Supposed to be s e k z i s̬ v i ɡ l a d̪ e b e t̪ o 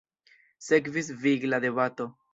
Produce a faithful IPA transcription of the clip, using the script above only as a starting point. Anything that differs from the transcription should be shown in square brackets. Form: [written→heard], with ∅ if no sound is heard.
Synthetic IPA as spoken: s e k [z→v] i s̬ v i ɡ l a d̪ e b [e→a] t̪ o